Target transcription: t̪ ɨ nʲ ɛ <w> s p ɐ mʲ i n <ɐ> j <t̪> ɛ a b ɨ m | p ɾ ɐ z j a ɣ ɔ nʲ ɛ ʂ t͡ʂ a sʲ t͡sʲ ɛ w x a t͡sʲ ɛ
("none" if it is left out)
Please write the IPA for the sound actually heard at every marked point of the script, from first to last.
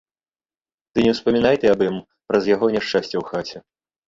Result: w, a, t̪

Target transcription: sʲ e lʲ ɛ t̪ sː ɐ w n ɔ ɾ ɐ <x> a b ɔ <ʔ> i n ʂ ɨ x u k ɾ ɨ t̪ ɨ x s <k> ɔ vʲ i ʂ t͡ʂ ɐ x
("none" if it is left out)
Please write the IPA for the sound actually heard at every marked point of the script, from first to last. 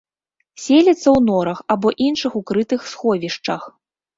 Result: x, ʔ, x

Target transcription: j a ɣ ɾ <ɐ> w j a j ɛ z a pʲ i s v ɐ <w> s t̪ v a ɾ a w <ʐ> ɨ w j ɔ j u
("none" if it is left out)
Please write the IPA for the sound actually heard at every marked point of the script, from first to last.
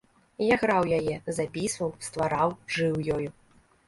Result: a, w, ʐ

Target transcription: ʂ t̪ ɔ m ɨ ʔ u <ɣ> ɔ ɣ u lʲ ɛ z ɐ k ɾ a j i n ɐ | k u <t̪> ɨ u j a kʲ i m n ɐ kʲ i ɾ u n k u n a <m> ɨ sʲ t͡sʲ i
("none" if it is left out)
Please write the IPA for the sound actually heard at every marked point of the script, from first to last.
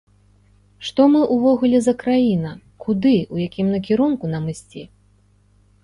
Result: v, d̪, m

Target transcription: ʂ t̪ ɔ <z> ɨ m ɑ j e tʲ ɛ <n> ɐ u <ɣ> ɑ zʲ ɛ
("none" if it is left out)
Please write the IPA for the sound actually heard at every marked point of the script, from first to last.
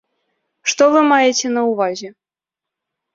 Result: v, n, v

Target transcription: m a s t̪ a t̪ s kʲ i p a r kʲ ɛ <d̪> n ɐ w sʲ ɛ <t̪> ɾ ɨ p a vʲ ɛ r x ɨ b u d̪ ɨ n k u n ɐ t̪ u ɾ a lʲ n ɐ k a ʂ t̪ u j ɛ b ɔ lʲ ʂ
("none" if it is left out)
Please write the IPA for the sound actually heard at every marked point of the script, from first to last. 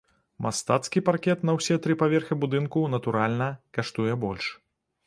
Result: t̪, t̪

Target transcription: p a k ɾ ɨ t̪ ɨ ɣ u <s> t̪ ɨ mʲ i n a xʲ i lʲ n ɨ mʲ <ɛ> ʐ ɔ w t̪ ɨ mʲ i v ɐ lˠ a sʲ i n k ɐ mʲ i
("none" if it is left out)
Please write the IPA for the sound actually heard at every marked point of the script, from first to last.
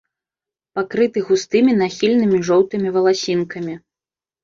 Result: s, i

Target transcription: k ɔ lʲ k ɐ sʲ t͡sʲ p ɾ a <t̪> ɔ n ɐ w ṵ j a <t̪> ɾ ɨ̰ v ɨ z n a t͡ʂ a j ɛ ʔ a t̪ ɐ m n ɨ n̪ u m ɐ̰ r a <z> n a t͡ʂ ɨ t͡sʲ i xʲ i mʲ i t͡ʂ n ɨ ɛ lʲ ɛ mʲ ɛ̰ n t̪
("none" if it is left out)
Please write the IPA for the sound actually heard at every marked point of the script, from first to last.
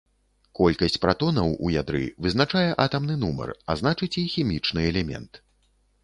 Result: t̪, d̪, z

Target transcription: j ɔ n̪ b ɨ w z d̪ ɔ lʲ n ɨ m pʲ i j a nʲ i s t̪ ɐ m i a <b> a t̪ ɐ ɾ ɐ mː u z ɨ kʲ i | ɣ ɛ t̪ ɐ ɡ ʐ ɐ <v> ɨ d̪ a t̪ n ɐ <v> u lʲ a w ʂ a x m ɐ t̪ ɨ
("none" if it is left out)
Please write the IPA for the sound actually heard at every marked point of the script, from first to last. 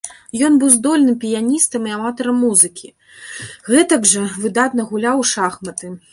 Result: m, v, ɣ

